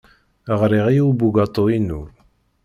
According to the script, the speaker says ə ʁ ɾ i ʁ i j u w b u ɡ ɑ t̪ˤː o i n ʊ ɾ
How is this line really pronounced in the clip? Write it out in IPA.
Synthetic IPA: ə ʁ ɾ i ʁ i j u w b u ɡ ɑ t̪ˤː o i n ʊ ɾ